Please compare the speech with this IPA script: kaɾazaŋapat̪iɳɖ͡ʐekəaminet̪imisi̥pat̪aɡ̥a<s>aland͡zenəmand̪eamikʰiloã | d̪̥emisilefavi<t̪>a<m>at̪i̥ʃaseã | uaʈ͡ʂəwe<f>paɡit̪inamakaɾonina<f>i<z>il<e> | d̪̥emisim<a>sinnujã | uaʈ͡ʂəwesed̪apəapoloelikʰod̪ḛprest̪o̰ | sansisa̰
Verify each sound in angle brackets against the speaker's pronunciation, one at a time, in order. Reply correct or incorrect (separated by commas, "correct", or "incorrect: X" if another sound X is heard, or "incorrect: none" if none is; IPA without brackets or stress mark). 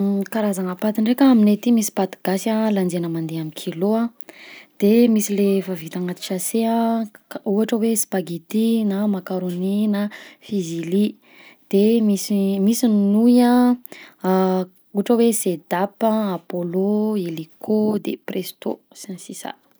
correct, correct, incorrect: ŋ, incorrect: s, correct, correct, incorrect: i, incorrect: i